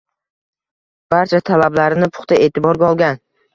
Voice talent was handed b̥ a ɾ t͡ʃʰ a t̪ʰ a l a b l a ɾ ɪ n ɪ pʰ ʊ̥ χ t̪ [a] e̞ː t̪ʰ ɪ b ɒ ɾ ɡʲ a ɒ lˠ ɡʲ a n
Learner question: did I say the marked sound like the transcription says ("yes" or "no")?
yes